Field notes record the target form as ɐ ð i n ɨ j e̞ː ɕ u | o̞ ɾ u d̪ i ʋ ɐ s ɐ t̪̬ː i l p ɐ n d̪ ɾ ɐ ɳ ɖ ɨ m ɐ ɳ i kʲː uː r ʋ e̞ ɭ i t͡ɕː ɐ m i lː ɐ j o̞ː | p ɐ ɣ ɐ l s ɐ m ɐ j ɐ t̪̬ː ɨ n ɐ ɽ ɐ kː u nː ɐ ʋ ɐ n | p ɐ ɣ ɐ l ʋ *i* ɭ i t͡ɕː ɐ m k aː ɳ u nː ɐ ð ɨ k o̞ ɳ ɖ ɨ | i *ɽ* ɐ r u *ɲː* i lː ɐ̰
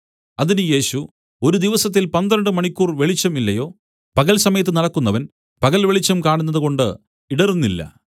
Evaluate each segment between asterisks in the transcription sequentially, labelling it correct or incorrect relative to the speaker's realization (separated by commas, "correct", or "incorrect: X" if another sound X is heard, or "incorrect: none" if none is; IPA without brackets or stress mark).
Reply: incorrect: e, correct, incorrect: nː